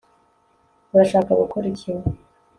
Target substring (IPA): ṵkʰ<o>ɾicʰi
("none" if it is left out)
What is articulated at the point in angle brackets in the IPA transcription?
u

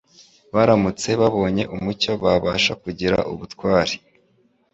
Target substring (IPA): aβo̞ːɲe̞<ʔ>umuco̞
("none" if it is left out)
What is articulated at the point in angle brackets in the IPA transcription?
ʔ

